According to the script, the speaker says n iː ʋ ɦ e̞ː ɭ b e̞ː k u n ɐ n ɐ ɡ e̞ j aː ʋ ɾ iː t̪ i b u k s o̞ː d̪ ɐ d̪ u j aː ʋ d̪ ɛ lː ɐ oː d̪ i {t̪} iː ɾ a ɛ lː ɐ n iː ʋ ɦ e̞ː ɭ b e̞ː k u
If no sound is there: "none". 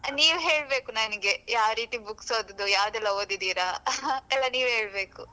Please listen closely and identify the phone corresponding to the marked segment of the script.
d̪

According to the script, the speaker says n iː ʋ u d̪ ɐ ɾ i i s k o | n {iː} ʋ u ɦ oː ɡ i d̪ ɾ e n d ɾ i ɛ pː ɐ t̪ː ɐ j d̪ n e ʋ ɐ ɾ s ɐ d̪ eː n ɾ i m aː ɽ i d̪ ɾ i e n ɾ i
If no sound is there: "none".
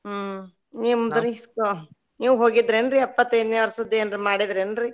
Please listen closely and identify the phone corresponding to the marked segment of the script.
iː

